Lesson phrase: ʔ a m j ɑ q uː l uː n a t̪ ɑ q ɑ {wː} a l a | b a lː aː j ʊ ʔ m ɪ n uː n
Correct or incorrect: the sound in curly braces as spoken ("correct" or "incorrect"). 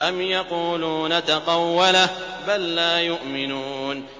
correct